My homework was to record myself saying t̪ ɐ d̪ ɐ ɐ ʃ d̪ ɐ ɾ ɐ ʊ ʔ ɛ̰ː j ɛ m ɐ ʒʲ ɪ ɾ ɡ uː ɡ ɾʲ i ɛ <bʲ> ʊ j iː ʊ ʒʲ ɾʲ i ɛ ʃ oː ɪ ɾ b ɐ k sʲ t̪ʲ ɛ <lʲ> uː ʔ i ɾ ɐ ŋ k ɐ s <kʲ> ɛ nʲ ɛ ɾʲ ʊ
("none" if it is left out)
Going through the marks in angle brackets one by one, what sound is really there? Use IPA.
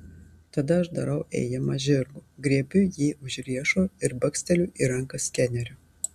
bʲ, lʲ, kʲ

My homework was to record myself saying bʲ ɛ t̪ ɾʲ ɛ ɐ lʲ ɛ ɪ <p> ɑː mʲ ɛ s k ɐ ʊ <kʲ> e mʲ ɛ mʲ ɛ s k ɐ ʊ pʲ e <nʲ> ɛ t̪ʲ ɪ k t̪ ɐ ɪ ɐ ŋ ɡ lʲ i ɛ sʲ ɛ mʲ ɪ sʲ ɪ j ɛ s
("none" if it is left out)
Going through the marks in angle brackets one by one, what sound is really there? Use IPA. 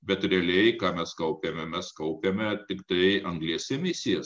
k, pʲ, mʲ

